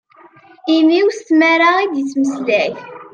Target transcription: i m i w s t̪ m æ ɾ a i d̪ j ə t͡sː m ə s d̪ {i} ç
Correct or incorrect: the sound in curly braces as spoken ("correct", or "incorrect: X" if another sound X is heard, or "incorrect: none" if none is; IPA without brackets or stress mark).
incorrect: æ